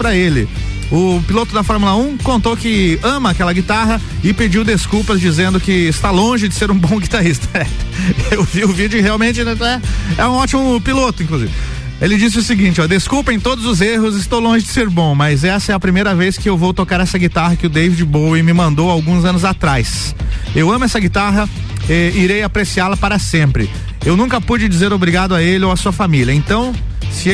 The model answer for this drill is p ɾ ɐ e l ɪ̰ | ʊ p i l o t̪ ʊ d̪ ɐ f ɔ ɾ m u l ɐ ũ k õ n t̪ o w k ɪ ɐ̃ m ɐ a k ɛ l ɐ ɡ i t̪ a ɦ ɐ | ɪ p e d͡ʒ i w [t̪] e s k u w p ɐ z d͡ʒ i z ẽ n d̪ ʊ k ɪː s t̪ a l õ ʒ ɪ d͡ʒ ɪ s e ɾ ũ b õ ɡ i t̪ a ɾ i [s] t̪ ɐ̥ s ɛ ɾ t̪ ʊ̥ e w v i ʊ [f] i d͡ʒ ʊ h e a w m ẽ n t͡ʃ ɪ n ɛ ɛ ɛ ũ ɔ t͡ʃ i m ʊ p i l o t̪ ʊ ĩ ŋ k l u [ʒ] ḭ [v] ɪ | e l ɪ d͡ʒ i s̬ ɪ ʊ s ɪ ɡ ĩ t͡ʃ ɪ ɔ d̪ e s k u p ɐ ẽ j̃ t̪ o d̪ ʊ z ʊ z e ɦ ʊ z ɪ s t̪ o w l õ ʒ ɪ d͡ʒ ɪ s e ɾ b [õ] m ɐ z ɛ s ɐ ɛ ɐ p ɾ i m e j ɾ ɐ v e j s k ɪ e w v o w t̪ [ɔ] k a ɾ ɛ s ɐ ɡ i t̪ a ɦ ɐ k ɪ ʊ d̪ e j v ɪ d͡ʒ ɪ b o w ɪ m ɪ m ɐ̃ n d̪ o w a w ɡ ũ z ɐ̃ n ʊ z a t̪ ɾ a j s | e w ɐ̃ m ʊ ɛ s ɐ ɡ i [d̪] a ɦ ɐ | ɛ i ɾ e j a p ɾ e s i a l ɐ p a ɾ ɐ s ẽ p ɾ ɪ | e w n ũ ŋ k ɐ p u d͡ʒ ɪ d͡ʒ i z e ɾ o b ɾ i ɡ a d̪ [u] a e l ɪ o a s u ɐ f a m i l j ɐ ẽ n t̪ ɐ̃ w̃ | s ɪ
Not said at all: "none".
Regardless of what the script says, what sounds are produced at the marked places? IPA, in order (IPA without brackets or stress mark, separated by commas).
d̪, s, v, z, v, õ, o, t̪, ʊ